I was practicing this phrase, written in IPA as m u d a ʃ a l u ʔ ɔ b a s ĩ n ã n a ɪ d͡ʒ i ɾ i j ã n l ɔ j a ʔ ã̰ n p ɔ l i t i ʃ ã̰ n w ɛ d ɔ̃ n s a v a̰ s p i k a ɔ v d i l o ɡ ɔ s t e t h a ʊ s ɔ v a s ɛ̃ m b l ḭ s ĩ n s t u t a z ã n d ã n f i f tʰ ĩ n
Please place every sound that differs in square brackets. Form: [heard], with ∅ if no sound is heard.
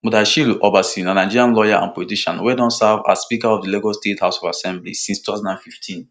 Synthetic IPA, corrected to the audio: m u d a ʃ [i] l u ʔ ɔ b a s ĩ n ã n a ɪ d͡ʒ i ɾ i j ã n l ɔ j a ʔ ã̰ n p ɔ l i t i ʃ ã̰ n w ɛ d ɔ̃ n s a v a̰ s p i k a ɔ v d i l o ɡ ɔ s t e t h a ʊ s ɔ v a s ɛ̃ m b l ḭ s ĩ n s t u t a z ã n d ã n f i f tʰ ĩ n